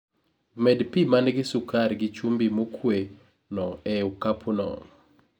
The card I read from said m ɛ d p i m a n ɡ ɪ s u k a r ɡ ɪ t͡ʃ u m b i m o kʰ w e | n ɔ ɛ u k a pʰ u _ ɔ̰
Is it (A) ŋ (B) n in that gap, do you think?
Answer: B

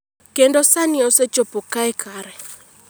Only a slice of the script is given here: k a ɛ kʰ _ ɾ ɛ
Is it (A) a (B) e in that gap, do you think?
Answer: A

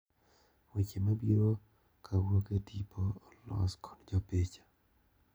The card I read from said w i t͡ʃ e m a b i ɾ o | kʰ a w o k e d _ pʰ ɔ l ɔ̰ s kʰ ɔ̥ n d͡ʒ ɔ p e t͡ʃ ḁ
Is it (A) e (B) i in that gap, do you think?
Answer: B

